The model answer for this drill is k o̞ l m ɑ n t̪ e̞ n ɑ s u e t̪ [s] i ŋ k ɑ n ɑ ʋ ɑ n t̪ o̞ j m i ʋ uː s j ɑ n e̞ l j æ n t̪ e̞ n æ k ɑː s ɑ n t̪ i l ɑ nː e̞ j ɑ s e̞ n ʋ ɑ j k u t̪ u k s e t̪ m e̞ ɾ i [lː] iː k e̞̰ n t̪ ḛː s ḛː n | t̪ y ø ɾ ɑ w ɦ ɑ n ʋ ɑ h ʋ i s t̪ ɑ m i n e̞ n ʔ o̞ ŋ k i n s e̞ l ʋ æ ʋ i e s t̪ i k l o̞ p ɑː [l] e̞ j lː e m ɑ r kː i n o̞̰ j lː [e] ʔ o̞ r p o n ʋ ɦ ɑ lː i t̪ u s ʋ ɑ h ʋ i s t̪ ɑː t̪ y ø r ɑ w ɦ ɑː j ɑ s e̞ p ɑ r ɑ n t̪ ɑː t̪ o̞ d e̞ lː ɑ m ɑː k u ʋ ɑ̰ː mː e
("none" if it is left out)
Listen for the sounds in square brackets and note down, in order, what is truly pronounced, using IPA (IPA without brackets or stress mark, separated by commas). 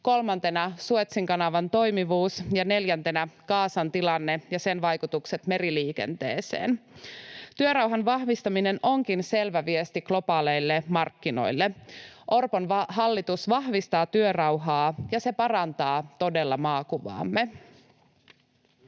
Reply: s, l, l, e